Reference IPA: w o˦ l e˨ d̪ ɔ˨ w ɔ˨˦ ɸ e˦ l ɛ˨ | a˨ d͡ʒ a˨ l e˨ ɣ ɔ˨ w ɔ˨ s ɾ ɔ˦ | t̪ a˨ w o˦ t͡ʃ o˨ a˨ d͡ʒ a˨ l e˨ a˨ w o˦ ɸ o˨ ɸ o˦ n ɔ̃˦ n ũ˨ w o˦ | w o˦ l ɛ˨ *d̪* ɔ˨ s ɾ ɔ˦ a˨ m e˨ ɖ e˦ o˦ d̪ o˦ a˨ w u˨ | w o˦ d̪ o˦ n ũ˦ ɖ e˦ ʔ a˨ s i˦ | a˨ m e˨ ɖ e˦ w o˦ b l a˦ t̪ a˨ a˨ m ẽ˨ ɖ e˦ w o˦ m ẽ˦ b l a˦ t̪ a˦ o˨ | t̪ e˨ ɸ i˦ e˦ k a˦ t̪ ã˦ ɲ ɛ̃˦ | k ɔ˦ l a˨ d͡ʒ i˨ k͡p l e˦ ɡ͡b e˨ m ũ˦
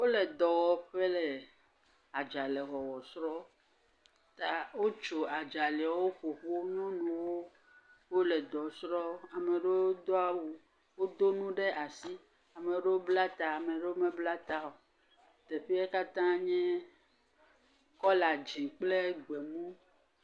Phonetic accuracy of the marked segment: correct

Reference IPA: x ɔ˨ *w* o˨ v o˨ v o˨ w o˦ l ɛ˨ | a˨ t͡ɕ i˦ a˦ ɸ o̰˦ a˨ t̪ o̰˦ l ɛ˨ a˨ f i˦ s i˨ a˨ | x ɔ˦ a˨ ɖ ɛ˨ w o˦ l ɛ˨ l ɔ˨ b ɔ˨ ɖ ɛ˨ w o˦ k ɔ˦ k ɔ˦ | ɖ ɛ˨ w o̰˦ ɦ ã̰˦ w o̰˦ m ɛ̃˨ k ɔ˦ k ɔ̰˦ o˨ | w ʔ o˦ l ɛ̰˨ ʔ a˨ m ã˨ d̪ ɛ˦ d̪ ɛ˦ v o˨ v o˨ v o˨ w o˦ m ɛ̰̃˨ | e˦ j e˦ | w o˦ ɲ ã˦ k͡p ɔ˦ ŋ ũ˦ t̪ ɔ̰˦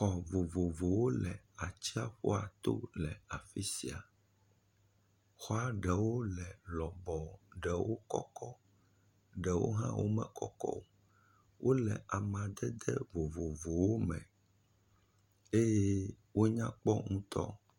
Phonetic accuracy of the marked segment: incorrect: v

